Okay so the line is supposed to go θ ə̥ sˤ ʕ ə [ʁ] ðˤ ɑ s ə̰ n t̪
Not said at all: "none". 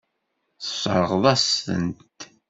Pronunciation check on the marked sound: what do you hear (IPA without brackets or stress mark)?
ʁ